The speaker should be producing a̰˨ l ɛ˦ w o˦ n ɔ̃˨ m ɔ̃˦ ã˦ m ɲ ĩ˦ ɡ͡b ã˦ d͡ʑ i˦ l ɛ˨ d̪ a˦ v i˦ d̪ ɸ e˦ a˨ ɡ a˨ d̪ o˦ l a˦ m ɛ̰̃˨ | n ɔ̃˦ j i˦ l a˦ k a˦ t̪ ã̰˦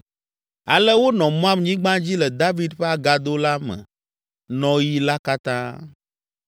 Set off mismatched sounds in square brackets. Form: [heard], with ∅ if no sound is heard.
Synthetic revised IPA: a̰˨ l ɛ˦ w o˦ n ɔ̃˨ m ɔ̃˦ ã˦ m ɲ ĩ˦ ɡ͡b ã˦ d͡ʑ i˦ l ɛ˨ d̪ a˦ v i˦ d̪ ɸ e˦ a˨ ɡ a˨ d̪ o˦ l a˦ m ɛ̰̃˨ | n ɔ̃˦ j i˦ l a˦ k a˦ t̪ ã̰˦